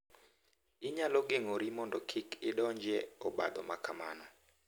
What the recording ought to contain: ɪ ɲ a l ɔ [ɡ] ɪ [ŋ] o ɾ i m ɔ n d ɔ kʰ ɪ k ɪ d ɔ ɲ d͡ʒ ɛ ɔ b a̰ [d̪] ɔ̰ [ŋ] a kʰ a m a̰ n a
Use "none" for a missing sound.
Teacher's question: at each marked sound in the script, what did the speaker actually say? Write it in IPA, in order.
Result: ɡ, ŋ, d̪, m

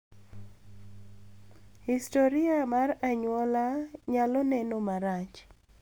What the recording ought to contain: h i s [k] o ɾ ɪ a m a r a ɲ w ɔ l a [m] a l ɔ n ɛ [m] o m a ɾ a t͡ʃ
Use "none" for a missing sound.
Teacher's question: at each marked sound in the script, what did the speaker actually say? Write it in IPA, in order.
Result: t, ɲ, n

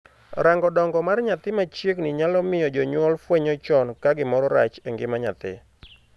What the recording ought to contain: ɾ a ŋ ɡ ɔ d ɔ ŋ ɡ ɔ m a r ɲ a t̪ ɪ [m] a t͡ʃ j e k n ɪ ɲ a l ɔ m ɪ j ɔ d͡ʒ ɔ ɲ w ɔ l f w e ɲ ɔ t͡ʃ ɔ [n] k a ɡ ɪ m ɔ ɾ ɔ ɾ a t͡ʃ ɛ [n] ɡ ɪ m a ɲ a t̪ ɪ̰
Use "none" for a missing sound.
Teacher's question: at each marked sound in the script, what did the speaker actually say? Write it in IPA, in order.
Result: m, n, ŋ

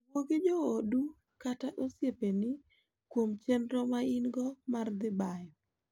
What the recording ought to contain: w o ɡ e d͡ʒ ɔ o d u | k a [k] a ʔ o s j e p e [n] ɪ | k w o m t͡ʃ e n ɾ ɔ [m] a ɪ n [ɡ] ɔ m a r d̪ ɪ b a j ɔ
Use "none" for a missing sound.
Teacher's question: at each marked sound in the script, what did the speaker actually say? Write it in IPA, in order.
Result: t, n, m, ɡ

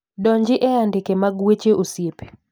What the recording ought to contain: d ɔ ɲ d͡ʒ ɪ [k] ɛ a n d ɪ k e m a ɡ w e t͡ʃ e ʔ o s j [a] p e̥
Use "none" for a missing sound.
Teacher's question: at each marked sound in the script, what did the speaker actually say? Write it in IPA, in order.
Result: ʔ, e

